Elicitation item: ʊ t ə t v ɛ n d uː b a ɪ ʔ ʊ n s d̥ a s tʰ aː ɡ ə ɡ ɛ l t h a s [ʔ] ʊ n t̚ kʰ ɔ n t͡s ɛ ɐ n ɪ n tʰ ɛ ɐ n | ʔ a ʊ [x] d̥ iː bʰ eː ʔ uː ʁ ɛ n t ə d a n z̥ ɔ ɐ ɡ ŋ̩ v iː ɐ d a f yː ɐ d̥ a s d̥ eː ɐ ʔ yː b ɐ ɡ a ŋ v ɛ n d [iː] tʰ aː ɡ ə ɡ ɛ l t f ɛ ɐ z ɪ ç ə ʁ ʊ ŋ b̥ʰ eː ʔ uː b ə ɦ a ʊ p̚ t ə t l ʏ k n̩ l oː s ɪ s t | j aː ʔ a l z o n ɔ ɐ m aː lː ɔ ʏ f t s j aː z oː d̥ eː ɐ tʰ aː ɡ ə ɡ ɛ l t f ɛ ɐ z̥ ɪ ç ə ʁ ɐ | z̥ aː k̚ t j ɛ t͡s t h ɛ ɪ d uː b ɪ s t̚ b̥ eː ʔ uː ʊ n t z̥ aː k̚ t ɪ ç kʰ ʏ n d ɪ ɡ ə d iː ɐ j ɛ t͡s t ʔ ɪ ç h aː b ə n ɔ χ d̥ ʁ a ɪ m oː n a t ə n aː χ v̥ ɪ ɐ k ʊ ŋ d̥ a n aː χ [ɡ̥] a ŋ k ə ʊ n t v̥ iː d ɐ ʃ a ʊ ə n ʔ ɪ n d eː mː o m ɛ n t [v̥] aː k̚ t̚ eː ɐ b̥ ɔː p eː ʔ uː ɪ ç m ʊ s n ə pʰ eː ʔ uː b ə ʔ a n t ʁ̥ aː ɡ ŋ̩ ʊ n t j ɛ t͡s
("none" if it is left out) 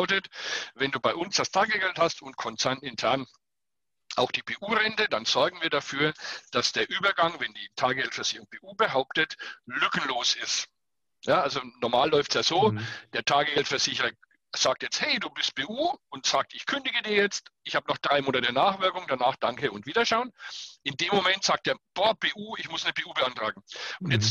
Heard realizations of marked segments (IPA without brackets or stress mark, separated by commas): t, x, iː, d̥, z̥